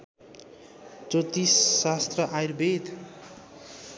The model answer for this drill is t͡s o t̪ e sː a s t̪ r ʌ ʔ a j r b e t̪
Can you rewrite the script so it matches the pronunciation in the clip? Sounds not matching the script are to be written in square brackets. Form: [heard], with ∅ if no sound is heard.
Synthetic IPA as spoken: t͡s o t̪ [i] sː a s t̪ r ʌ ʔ a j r b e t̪